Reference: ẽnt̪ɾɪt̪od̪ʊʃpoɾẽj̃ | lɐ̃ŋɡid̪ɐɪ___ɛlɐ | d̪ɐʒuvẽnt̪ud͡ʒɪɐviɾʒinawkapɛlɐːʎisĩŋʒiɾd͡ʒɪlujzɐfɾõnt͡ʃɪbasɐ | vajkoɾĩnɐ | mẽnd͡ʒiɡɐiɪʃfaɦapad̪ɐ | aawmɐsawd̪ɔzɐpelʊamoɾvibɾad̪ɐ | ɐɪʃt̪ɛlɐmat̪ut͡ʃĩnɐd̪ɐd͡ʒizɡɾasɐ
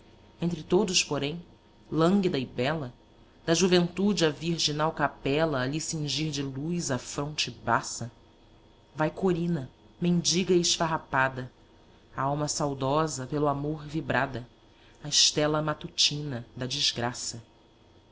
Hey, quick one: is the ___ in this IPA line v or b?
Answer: b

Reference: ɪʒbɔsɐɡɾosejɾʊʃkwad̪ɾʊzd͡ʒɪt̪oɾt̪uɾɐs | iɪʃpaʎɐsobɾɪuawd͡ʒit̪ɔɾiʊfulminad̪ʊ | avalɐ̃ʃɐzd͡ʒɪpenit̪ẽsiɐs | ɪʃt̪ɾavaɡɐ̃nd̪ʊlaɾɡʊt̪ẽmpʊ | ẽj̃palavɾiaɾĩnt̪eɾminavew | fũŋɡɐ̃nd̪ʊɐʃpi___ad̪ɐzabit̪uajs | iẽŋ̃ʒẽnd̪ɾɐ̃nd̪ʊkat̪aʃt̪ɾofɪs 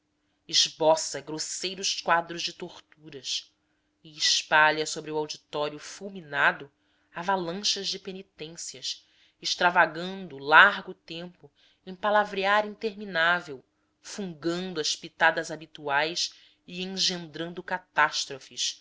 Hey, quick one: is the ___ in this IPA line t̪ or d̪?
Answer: t̪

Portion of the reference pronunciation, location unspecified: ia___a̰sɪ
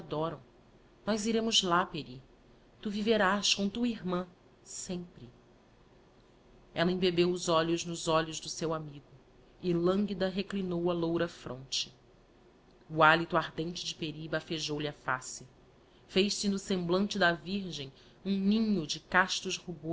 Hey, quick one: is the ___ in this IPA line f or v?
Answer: f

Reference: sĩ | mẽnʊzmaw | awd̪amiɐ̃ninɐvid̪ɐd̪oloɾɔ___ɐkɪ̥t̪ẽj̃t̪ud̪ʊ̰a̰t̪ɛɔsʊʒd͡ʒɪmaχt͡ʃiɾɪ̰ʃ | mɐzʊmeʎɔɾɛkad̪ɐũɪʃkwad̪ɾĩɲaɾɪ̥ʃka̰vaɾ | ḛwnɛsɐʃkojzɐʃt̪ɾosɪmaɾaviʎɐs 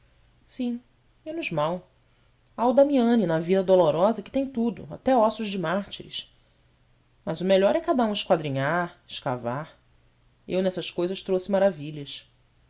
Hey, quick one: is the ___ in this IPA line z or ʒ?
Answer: z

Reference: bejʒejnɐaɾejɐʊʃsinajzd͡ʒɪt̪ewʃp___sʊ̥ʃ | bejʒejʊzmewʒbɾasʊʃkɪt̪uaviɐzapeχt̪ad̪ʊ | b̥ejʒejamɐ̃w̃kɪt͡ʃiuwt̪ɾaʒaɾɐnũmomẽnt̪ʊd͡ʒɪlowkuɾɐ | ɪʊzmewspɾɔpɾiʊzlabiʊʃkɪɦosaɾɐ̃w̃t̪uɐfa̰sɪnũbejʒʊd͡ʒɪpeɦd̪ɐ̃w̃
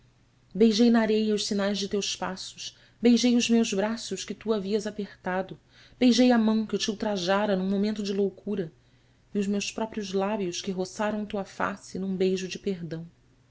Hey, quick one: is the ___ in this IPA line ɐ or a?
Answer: a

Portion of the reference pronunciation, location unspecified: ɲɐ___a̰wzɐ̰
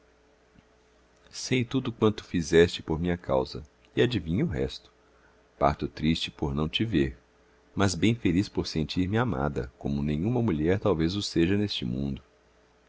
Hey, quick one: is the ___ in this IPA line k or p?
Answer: k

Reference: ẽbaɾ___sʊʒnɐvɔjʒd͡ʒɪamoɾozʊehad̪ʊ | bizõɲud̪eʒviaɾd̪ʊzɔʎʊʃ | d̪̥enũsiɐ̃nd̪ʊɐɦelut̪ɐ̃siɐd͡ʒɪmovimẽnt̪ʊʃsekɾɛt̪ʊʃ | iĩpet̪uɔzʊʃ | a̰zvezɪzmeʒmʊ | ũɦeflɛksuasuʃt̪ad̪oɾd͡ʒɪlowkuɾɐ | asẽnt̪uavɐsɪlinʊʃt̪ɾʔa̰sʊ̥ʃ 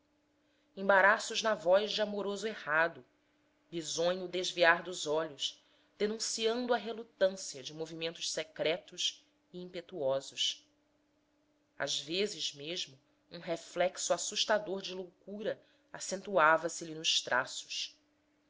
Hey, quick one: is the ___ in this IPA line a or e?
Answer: a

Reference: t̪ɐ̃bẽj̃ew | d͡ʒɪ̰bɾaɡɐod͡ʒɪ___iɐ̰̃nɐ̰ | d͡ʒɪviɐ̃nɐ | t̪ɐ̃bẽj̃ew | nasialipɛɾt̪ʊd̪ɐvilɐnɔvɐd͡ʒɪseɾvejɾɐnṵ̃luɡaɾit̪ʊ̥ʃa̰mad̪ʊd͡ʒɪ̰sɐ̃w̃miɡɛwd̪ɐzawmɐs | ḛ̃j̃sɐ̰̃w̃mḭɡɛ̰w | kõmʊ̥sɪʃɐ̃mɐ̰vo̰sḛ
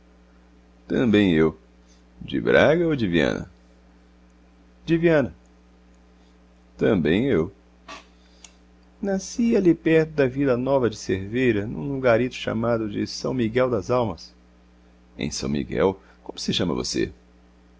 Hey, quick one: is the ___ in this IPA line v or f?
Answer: v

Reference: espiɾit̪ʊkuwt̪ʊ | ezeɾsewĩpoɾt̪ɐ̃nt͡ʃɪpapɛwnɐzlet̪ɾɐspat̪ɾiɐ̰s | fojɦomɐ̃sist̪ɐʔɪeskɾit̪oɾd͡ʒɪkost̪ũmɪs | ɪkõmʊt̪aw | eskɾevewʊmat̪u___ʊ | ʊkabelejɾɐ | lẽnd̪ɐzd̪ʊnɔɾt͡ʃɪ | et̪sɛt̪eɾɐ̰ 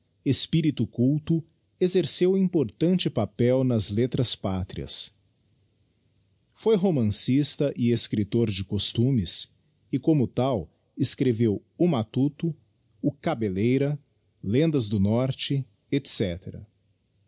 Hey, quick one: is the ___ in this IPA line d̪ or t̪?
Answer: t̪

